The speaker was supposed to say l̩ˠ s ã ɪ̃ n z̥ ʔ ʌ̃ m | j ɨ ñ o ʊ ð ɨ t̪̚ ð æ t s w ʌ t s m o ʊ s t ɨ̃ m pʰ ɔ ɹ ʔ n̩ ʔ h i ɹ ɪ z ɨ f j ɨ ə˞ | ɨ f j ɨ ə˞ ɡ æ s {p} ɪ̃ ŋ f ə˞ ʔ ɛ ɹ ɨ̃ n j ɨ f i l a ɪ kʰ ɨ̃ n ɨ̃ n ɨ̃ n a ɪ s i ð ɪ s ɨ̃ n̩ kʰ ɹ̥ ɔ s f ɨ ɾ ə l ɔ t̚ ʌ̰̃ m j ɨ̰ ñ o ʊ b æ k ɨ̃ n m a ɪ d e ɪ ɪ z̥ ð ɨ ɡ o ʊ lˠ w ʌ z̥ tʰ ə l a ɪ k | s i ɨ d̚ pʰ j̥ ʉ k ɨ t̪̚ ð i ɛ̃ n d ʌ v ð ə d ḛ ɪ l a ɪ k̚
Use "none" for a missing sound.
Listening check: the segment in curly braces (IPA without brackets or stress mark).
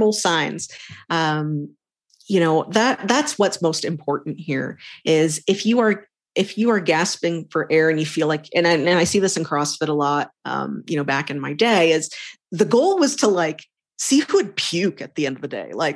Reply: p